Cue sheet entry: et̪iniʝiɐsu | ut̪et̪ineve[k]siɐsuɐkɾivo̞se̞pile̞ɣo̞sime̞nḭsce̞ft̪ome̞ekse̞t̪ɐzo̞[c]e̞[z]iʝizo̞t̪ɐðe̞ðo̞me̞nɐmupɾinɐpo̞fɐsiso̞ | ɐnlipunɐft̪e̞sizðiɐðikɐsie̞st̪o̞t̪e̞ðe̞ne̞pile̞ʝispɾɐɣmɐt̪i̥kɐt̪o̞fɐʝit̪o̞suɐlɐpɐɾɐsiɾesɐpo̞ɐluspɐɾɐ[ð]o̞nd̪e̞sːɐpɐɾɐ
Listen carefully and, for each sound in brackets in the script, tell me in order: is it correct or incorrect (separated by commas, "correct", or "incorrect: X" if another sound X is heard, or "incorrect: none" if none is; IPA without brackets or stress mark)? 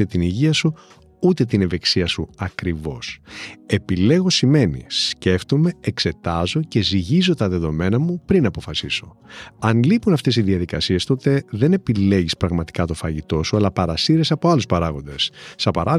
correct, correct, correct, incorrect: ɣ